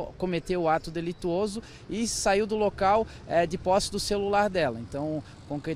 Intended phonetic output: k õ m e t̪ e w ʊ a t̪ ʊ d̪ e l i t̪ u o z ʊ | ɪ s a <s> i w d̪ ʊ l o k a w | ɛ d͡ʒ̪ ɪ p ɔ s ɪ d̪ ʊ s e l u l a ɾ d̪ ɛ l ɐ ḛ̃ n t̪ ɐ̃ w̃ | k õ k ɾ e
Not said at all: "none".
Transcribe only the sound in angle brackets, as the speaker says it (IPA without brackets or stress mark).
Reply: none